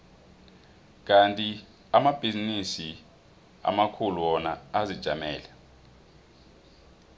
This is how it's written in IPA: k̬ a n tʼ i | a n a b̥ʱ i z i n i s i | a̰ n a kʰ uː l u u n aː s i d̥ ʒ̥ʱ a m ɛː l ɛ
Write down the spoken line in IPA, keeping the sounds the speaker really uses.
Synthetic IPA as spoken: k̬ a n tʼ i | a m a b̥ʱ i z i n i s i | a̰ m a kʰ u l u ɔ n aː z i d̥ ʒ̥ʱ a m ɛː l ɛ